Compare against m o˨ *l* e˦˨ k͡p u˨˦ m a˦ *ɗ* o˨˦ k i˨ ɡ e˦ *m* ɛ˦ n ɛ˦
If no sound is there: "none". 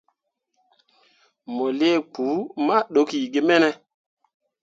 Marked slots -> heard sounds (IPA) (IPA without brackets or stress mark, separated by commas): l, ɗ, m